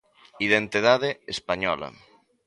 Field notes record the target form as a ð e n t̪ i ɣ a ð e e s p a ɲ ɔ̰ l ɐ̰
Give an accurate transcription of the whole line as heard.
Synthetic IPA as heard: i ð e n t̪ i ð a ð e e s p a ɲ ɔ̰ l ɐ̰

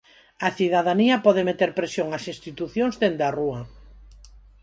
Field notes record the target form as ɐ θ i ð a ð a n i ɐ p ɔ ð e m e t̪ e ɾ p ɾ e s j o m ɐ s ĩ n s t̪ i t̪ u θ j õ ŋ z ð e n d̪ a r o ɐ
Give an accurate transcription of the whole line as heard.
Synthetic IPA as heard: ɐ θ i ð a ð a n i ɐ p ɔ ð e m e t̪ e ɾ p ɾ e s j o ŋ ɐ s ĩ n s t̪ i t̪ u θ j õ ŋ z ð e n d̪ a r u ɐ

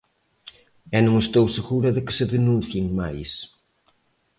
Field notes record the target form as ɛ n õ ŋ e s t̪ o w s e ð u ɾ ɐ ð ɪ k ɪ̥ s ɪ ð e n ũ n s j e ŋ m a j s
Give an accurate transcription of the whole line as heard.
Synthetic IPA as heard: ɛ n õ ŋ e s t̪ o w s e ɣ u ɾ ɐ ð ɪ k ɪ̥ s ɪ ð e n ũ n θ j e ŋ m a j s

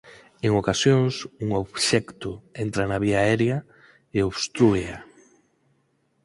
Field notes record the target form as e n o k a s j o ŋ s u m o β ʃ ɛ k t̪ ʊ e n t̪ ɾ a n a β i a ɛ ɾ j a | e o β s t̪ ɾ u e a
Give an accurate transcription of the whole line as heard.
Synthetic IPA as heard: e ŋ o k a s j o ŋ s u ŋ o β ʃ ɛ k t̪ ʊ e n t̪ ɾ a n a β i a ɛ ɾ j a | e o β s t̪ ɾ u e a

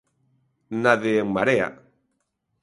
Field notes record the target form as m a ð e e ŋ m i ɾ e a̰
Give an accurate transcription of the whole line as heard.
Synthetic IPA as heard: n a ð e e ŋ m a ɾ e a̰

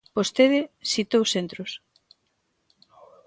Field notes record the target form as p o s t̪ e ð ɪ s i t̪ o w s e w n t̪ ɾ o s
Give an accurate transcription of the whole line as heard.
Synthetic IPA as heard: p o s t̪ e ð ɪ s i t̪ o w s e n t̪ ɾ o s

